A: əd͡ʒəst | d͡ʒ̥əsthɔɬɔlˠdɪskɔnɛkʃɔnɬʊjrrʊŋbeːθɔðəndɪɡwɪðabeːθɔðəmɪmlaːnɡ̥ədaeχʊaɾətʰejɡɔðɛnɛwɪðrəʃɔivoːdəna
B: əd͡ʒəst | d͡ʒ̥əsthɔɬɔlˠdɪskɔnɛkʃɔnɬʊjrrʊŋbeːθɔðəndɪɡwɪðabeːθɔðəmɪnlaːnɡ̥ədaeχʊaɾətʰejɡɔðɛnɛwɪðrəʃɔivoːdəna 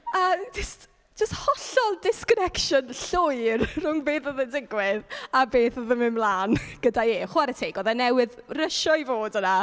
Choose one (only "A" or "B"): A